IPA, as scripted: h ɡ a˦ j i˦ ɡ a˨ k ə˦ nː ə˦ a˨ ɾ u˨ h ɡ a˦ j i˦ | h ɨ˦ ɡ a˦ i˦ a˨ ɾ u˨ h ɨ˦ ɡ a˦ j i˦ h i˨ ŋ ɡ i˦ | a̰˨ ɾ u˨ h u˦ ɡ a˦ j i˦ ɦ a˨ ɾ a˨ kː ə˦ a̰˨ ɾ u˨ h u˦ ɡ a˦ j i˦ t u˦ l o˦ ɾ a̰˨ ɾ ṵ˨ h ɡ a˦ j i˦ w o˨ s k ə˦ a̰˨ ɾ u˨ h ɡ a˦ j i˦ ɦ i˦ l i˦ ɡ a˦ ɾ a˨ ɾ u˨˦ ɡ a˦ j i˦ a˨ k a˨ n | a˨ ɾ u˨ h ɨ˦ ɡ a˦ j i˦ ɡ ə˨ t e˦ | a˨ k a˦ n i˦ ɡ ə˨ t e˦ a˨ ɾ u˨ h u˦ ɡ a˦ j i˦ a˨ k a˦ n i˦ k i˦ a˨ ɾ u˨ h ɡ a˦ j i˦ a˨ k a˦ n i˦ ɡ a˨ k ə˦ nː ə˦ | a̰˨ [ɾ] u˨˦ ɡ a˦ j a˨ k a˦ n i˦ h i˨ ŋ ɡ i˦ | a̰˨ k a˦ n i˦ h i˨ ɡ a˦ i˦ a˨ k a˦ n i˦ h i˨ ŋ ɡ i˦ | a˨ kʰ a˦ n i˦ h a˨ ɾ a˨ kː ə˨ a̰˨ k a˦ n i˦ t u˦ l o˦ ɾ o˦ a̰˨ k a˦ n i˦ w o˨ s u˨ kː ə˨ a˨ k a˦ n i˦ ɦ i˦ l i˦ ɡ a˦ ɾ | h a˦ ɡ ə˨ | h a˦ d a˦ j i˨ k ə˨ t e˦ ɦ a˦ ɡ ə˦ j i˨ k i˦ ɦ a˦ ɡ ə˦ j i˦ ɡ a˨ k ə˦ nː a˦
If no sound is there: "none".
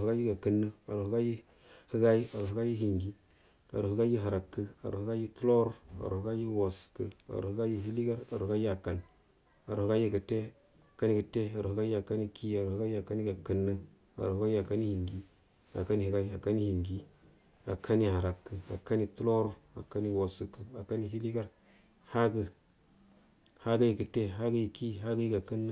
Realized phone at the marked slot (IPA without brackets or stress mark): ɾ